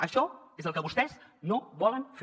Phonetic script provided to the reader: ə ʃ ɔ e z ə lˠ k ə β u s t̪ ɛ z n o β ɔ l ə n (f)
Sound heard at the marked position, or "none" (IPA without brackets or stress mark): f